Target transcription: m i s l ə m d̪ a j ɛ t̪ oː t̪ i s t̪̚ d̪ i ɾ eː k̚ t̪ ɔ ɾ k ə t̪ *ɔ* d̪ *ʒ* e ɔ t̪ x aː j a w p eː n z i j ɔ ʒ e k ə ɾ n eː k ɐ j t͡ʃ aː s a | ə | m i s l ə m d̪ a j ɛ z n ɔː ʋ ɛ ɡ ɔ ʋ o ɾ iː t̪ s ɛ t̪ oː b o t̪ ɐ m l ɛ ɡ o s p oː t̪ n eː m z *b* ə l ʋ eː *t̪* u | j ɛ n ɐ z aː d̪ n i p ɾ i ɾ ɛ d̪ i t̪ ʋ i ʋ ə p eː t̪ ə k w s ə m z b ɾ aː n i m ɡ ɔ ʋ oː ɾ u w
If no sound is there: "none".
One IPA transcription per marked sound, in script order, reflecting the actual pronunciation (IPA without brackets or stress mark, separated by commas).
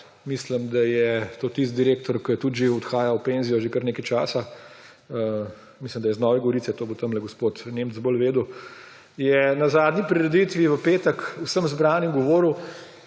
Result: u, ʒ, b, d̪